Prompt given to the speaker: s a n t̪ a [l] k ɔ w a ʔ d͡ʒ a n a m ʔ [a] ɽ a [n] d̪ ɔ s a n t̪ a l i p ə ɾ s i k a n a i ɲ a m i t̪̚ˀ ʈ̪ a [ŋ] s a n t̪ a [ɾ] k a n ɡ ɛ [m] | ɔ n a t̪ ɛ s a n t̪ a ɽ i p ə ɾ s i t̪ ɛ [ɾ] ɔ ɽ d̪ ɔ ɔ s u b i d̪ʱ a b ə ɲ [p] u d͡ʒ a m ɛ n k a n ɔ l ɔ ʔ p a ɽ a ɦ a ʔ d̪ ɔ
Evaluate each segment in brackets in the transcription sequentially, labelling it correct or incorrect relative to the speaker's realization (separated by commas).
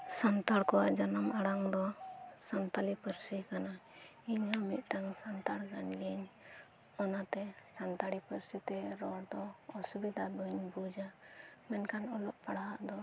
incorrect, correct, incorrect, correct, incorrect, incorrect, correct, incorrect